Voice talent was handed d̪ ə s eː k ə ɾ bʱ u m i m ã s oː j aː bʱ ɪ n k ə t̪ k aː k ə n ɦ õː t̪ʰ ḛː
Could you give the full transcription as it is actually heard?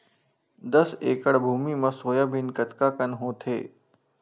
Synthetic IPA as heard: d̪ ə s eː k ə ɽ bʱ uː m i m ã s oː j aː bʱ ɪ n k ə t̪ k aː k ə n ɦ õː t̪ʰ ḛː

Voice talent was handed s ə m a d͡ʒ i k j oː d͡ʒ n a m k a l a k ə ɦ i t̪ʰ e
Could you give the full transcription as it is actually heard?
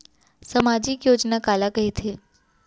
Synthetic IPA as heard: s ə m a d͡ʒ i k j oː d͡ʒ n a k a l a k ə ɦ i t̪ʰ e

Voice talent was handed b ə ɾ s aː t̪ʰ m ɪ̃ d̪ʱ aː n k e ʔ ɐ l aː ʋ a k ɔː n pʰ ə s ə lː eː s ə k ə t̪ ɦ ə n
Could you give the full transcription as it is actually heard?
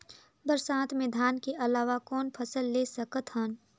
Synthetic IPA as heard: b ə ɾ s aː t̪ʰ m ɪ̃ d̪ʱ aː n k e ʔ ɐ l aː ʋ a k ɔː n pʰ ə s ə lː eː s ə k ə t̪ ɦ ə n

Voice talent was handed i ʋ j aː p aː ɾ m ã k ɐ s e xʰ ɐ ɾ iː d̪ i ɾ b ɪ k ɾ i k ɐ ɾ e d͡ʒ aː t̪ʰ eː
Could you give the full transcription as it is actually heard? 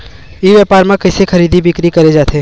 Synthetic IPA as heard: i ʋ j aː p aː ɾ m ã k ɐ s e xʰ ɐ ɾ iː d̪ i b ɪ k ɾ i k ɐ ɾ e d͡ʒ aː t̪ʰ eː

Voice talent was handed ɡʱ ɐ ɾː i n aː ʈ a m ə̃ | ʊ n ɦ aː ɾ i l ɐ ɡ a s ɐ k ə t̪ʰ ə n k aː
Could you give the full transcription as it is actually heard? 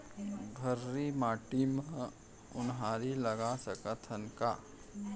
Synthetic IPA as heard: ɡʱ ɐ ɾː i m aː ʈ i m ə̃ | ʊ n ɦ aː ɾ i l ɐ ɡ a s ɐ k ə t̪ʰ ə n k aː

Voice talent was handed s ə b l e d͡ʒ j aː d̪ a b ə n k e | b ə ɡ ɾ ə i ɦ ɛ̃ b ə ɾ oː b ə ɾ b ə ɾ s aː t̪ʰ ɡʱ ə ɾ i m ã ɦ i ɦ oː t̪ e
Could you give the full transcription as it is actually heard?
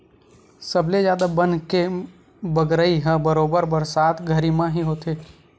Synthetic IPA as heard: s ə b l e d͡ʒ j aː d̪ a b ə n k e | b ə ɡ ɾ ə i ɦ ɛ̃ b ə ɾ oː b ə ɾ b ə ɾ s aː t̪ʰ ɡʱ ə ɾ i m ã ɦ i ɦ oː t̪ e

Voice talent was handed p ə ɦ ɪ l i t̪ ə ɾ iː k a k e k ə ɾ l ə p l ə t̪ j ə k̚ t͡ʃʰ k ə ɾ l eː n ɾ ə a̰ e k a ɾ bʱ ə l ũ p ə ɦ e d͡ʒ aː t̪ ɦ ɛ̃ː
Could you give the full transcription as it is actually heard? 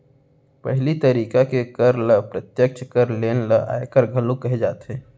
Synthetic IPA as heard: p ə ɦ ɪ l i t̪ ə ɾ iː k a k e k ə ɾ l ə p ɾ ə t̪ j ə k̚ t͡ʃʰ k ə ɾ l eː n l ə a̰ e k ə ɾ ɡʱ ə l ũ k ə ɦ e d͡ʒ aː t̪ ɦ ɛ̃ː

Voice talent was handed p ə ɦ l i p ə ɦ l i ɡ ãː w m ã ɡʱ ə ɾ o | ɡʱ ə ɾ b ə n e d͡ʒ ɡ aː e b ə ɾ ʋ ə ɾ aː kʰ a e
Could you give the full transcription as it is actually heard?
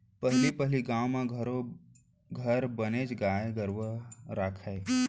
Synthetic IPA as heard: p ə ɦ l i p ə ɦ l i ɡ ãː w m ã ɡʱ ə ɾ o | ɡʱ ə ɾ b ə n e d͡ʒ ɡ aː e ɡ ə ɾ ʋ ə ɾ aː kʰ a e

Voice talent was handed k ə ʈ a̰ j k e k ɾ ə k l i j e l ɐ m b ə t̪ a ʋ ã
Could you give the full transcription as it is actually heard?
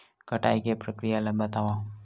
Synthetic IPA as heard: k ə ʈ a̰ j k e p ɾ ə k ɾ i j a l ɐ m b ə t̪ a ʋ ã

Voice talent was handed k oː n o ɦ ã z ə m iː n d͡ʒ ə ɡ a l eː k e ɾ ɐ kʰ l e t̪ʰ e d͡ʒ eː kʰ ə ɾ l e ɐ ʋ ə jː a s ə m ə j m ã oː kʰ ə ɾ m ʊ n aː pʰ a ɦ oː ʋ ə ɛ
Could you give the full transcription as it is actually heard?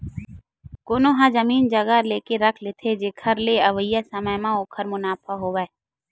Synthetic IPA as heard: k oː n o ɦ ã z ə m iː n d͡ʒ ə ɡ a l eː k e ɾ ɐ kʰ l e t̪ʰ e d͡ʒ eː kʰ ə ɾ l e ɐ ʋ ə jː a s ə m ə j m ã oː kʰ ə ɾ m ʊ n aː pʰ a ɦ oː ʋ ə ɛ

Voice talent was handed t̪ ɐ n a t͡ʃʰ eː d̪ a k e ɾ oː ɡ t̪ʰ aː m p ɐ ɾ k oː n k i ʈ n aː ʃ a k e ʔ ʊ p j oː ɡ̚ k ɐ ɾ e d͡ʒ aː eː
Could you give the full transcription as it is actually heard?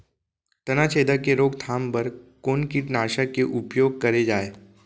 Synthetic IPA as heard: t̪ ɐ n a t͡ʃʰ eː d̪ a k e ɾ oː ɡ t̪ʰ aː m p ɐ ɾ k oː n k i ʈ n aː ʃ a k e ʔ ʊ p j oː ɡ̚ k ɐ ɾ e d͡ʒ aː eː

